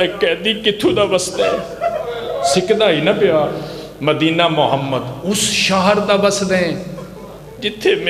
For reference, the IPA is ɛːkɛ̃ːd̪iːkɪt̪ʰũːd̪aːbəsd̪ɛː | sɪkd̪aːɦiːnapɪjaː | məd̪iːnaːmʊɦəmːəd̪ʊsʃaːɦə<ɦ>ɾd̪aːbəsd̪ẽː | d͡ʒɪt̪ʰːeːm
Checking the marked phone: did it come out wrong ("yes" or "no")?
yes